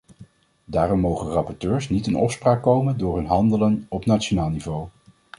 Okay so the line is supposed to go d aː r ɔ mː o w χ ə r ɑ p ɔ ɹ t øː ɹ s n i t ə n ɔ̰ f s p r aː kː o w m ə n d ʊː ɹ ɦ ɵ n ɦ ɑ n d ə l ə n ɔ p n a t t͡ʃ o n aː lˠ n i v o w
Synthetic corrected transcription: d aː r ɔ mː o w χ ə r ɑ p ɔ ɹ t øː ɹ s n i t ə n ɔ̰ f s p r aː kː o w m ə n d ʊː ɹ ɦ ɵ n ɦ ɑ n d ə l ə n ɔ p n a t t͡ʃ o n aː lˠ n i v o w